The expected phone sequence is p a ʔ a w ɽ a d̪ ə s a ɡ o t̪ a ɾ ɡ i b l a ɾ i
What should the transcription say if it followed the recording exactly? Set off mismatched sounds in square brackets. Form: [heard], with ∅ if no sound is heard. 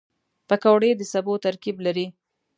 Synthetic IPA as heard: p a [k] a w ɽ [e] d̪ ə s a [b] o t̪ a ɾ [k] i b l a ɾ i